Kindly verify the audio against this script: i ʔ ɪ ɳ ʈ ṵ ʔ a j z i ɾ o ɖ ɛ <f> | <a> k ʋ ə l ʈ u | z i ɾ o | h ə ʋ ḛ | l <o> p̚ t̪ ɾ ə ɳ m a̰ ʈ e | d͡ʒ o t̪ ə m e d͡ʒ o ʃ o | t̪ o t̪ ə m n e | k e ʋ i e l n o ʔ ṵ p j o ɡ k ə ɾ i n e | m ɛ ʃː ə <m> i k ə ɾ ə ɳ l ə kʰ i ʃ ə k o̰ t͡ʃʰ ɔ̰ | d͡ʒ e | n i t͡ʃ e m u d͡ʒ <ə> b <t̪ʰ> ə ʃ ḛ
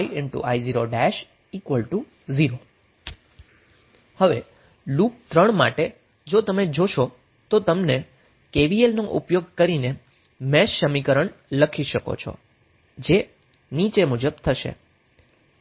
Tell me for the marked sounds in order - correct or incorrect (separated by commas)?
incorrect, incorrect, incorrect, correct, correct, correct